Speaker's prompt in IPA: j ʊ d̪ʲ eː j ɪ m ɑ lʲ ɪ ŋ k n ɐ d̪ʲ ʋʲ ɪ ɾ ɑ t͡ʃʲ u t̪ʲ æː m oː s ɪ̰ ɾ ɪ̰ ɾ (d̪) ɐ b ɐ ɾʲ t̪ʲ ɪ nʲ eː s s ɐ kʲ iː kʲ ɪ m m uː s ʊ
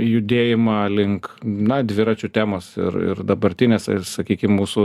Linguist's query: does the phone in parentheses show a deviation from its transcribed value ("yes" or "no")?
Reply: no